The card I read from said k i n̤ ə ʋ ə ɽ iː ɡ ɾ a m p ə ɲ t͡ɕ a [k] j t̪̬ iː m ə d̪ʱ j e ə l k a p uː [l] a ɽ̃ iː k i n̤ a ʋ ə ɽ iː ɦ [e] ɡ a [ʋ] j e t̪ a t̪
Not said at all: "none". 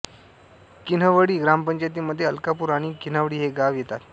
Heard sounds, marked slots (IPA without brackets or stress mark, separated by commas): none, ɾ, e, ʋ